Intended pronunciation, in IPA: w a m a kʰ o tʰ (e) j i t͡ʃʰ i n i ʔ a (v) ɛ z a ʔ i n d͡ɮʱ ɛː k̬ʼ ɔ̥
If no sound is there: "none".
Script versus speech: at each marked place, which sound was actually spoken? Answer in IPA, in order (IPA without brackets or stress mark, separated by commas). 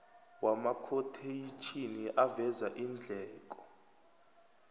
e, v